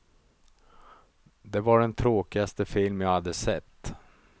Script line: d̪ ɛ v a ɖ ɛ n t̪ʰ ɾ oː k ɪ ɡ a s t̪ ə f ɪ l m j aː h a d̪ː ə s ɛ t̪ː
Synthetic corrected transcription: d̪ ɛ v a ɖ ɛ n t̪ʰ ɾ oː k ɪ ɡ a s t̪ ə f ɪ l m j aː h a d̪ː ə s ɛ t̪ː